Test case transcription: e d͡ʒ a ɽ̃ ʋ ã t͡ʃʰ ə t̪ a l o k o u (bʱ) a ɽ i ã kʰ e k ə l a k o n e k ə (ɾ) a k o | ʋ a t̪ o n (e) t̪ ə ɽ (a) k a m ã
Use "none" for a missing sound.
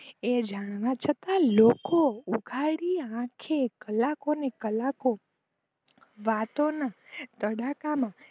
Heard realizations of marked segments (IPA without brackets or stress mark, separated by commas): ɡʱ, l, a, a